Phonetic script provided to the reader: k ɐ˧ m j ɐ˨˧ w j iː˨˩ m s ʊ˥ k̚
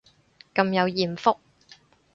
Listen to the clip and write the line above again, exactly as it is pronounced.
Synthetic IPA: k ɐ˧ m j ɐ˨˧ w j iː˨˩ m f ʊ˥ k̚